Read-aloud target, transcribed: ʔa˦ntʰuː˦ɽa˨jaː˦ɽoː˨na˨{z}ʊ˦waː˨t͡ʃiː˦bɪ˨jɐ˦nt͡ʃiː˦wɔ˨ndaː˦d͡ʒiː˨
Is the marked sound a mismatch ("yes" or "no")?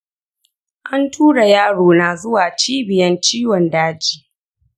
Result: no